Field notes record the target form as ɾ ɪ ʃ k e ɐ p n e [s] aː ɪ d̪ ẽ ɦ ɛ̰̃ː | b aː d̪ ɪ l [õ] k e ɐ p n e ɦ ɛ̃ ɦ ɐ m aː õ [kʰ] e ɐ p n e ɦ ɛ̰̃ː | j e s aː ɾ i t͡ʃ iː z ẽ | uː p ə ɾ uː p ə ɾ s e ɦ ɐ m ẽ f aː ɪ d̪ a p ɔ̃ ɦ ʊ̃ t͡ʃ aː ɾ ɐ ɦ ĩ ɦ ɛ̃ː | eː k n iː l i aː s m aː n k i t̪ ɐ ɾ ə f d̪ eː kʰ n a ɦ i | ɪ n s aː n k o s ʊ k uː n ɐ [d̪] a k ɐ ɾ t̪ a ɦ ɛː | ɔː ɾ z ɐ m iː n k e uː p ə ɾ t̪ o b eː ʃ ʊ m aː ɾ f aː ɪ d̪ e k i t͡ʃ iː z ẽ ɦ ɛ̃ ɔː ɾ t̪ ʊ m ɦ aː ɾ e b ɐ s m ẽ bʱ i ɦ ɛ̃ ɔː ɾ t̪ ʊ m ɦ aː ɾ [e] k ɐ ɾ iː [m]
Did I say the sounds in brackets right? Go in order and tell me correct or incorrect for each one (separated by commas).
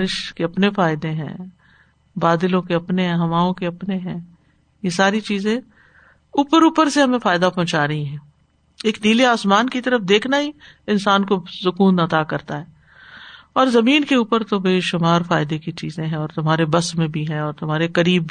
incorrect, correct, incorrect, incorrect, correct, incorrect